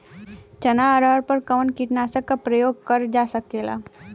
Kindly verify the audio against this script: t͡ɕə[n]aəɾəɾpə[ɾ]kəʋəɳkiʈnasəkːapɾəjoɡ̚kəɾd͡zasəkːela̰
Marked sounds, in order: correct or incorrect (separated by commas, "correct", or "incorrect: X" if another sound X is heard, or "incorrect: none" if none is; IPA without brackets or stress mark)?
correct, correct